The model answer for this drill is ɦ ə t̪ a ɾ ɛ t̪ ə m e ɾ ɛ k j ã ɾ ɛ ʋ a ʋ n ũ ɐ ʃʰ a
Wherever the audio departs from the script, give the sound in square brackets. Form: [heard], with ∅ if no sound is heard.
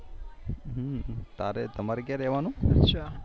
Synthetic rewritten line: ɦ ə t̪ a ɾ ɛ t̪ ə m [a] ɾ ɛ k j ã ɾ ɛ ʋ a [∅] n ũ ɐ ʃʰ a